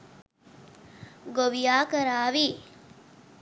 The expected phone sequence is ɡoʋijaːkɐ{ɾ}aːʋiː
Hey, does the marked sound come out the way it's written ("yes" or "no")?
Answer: yes